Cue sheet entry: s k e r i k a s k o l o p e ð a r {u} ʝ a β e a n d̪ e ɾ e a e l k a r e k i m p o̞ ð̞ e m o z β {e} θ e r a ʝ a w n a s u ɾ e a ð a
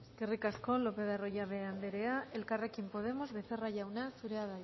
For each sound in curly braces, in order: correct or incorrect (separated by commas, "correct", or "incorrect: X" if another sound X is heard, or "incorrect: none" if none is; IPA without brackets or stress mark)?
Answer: incorrect: o, correct